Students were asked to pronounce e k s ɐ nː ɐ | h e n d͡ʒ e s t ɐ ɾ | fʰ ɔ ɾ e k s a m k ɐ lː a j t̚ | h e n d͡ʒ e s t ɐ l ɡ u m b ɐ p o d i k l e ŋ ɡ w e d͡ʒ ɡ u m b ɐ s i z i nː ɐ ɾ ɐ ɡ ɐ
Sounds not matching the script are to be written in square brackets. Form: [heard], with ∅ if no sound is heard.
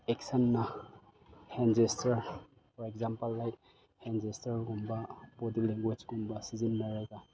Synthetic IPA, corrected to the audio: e k s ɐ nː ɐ | h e n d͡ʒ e s t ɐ ɾ | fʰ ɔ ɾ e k [z] a m [p] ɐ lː a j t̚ | h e n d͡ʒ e s t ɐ [ɾ] ɡ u m b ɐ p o d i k l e ŋ ɡ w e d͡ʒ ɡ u m b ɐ s i z i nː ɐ ɾ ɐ ɡ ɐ